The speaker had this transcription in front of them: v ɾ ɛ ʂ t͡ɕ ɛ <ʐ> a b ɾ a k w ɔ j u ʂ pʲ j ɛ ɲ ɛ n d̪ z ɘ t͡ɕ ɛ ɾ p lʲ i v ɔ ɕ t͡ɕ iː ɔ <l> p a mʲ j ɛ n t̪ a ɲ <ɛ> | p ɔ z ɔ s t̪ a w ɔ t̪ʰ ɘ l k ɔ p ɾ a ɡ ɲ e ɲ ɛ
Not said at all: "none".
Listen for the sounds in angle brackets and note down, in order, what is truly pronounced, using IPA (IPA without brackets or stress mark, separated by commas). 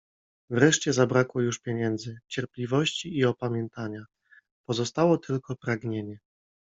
z, none, a